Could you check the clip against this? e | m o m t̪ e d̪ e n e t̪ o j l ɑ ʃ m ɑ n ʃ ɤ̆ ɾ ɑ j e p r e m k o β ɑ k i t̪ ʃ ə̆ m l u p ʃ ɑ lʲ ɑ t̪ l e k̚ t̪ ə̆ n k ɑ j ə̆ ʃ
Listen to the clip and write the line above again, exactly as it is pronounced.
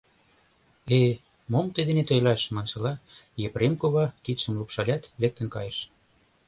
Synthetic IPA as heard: e | m o m t̪ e d̪ e n e t̪ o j l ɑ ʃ m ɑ n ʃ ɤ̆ l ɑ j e p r e m k o β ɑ k i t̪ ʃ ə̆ m l u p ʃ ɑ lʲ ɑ t̪ l e k̚ t̪ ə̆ n k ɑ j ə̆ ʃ